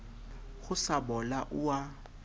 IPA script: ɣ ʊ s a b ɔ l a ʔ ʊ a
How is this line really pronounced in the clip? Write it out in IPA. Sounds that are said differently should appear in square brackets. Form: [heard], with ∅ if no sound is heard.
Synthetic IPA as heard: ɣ ʊ s a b ɔ l a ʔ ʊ a